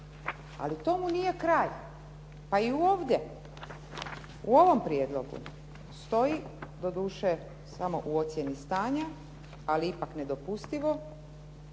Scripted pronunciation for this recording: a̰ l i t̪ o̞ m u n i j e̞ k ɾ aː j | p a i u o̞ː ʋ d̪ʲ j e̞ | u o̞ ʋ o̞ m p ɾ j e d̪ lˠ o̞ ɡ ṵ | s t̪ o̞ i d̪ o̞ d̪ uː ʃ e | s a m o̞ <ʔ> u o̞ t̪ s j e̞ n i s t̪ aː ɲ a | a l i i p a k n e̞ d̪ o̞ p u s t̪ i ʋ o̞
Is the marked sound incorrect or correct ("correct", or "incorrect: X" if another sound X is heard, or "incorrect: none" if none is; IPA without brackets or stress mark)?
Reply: correct